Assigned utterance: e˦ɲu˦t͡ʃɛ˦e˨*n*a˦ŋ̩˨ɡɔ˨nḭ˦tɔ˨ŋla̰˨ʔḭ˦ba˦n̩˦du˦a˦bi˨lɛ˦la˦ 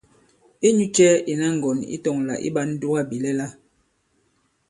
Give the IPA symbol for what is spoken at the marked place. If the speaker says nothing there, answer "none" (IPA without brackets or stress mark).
n